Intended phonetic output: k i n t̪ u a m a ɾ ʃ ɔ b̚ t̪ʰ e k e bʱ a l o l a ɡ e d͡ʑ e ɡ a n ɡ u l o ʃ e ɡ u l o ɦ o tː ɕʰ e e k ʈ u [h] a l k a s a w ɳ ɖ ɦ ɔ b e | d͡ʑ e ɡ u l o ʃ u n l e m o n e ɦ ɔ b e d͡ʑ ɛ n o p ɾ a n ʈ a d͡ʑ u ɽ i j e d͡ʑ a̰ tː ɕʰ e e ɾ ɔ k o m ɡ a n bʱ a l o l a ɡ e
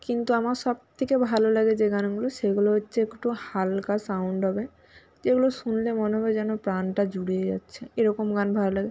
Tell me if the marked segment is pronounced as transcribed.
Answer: yes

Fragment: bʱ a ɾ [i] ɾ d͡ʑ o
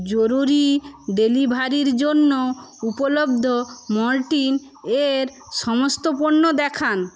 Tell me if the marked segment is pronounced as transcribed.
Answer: yes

